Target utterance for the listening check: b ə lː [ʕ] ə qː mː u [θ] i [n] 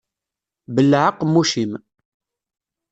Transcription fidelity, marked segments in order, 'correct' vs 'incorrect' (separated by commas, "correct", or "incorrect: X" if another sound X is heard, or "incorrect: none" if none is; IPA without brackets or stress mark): correct, incorrect: ʃ, incorrect: m